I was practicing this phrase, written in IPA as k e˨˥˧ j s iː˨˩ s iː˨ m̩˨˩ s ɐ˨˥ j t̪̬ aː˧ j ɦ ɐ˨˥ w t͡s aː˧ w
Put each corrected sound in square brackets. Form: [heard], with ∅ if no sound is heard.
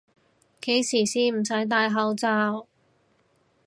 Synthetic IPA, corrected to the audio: k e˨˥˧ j s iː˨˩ s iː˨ m̩˨˩ s ɐ˨˥ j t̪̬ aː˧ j ɦ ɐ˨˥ w t͡s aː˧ w